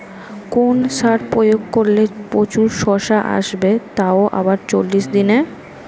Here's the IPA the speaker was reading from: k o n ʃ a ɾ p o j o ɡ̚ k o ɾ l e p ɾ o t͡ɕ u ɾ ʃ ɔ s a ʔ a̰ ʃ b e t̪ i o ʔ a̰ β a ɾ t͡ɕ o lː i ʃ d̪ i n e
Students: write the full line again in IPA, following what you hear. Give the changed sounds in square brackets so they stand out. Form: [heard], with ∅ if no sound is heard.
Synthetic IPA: k o n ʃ a ɾ p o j o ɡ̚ k o ɾ l e p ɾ o t͡ɕ u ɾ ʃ ɔ [ʃ] a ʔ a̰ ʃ b e t̪ [a] o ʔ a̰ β a ɾ t͡ɕ o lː i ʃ d̪ i n e

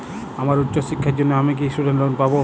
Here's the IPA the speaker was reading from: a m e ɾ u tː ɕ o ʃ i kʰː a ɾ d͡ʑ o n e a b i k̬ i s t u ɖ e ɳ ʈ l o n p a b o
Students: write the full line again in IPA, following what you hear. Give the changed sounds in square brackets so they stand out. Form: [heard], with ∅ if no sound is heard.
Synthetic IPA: a m [a] ɾ u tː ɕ o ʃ i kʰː a ɾ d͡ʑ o [nː] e a [m] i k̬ i s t u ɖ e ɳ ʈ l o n p a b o

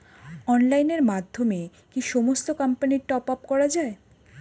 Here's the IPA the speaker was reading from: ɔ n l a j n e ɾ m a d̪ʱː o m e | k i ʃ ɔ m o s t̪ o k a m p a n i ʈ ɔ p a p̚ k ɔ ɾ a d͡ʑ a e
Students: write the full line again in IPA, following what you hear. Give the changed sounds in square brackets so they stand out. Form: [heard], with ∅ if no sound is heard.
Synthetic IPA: ɔ n l a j n e ɾ m a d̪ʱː o m e | k i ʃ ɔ m o s t̪ o k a m p a n i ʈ ɔ p a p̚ k ɔ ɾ a d͡ʑ a e

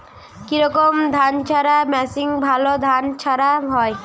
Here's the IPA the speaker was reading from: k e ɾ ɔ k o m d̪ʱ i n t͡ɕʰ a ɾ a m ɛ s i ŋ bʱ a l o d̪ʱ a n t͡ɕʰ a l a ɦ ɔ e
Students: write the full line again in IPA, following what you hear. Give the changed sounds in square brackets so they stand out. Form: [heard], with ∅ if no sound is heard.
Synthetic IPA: k [i] ɾ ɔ k o m d̪ʱ [a] n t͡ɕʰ a ɾ a m ɛ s i ŋ bʱ a l o d̪ʱ a n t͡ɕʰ a [ɾ] a ɦ ɔ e

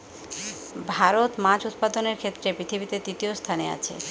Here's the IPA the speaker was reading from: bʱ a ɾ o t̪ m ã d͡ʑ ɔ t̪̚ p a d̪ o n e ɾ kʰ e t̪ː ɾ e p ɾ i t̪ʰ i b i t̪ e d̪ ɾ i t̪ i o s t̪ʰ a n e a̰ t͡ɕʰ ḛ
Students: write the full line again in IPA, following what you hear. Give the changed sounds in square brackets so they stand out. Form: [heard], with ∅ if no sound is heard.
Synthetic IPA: bʱ a ɾ o t̪ m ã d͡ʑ [u] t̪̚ p a d̪ o n e ɾ kʰ e t̪ː ɾ e p ɾ i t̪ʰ i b i t̪ e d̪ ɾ i t̪ i o s t̪ʰ a n e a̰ t͡ɕʰ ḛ

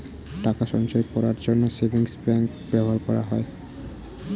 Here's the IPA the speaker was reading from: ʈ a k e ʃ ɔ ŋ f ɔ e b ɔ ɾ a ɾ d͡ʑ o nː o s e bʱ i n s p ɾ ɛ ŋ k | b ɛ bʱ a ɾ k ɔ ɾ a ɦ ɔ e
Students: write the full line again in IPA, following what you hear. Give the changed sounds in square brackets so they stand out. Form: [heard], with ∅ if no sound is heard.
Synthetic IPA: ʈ a k [a] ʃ ɔ ŋ [ʃ] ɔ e [p] ɔ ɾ a ɾ d͡ʑ o nː o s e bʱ i [ŋ] s p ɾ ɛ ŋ k | b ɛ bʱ a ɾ k ɔ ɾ a ɦ ɔ e

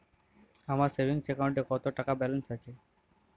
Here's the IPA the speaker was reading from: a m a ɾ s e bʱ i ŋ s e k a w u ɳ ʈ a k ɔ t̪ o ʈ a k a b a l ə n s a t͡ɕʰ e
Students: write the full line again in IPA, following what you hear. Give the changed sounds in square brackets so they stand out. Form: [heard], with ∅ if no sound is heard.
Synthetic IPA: a m a ɾ s e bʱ i ŋ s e k a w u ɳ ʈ [e] k ɔ t̪ o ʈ a k a b [ɛ] l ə n s a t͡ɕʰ e

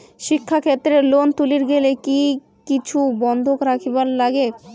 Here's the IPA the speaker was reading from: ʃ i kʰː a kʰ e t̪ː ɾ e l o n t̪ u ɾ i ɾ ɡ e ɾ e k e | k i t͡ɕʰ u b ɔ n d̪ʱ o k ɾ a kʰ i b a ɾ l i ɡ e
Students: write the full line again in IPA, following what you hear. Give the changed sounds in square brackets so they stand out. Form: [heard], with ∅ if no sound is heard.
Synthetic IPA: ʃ i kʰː a kʰ e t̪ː ɾ e l o n t̪ u [l] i ɾ ɡ e [l] e k [i] | k i t͡ɕʰ u b ɔ n d̪ʱ o k ɾ a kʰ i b a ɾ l [a] ɡ e

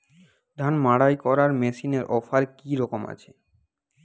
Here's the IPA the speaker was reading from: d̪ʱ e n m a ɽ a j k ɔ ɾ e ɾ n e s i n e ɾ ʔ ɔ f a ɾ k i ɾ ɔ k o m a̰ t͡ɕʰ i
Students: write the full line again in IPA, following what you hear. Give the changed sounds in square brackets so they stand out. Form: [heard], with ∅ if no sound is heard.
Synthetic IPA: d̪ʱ [a] n m a ɽ a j k ɔ ɾ [a] ɾ [m] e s i n e ɾ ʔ ɔ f a ɾ k i ɾ ɔ k o m a̰ t͡ɕʰ [e]

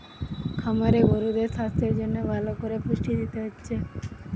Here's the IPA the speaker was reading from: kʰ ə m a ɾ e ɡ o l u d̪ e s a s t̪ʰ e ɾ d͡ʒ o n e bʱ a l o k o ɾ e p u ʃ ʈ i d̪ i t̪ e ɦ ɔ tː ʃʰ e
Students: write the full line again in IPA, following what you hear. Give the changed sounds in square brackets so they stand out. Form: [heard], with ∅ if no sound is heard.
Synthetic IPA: kʰ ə m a ɾ e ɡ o [ɾ] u d̪ e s a s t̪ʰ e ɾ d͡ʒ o n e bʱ a l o k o ɾ e p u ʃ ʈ i d̪ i t̪ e ɦ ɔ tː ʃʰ e

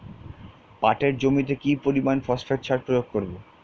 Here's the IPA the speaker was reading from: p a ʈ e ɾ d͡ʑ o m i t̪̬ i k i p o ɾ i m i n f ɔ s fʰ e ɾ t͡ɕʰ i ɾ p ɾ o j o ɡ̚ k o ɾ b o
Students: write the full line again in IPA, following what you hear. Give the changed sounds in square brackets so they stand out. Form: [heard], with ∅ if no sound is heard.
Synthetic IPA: p a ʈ e ɾ d͡ʑ o m i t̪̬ [e] k i p o ɾ i m [a] n f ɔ s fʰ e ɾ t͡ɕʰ [a] ɾ p ɾ o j o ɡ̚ k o ɾ b o

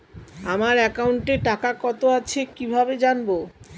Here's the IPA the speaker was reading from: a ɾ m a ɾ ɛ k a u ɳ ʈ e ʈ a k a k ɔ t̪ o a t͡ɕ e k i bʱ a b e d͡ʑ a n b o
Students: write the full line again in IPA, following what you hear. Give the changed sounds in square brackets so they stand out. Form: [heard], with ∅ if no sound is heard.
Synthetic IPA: a [∅] m a ɾ ɛ k a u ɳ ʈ e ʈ a k a k ɔ t̪ o a [t͡ɕʰ] e k i bʱ a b e d͡ʑ a n b o

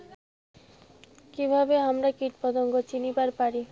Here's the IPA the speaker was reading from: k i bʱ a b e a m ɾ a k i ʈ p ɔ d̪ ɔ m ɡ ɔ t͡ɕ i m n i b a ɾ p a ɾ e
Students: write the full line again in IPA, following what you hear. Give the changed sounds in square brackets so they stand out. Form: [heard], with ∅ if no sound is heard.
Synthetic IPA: k i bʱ a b e a m ɾ a k i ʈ p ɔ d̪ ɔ [ŋ] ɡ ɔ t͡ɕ i [∅] n i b a ɾ p a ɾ [i]

